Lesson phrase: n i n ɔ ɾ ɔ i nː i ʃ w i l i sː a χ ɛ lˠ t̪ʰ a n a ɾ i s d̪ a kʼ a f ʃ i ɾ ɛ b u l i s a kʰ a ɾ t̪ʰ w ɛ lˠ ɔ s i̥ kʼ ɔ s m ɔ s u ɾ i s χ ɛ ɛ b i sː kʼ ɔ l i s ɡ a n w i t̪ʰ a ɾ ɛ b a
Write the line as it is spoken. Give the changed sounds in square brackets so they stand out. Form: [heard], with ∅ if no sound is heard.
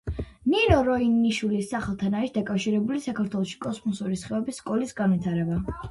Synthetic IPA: n i n ɔ ɾ ɔ i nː i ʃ w i l i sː a χ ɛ lˠ t̪ʰ a n a ɾ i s d̪ a kʼ a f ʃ i ɾ ɛ b u l i s a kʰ a ɾ t̪ʰ w ɛ lˠ ɔ [ʃ] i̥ kʼ ɔ s m ɔ s u ɾ i s χ ɛ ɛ b i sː kʼ ɔ l i s ɡ a n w i t̪ʰ a ɾ ɛ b a